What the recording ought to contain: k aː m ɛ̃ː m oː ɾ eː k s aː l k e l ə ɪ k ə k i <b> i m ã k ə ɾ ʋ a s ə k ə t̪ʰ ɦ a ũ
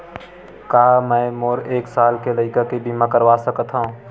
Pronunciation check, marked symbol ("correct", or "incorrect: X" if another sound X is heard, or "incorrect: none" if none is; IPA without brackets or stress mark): correct